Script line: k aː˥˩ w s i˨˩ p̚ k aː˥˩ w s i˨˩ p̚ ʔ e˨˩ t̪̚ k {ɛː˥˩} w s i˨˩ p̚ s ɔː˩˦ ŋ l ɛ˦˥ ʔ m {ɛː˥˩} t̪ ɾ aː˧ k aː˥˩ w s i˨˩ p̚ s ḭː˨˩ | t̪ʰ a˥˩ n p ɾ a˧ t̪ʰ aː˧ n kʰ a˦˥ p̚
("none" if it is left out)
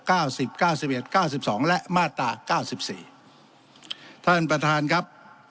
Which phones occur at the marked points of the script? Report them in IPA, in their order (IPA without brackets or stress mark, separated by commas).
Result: aː˥˩, aː˥˩